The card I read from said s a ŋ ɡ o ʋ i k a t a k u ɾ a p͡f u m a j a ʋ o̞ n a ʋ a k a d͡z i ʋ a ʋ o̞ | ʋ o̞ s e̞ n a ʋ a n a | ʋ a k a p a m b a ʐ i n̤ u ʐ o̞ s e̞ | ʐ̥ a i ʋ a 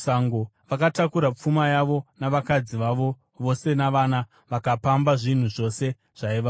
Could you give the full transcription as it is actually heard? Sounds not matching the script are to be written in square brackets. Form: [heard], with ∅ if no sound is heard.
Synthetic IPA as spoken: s a ŋ ɡ o ʋ [a] k a t a k u ɾ a p͡f u m a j a ʋ o̞ n a ʋ a k a d͡z i ʋ a ʋ o̞ | ʋ o̞ s e̞ n a ʋ a n a | ʋ a k a p a m b a ʐ i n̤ u ʐ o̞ s e̞ | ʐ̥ a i ʋ a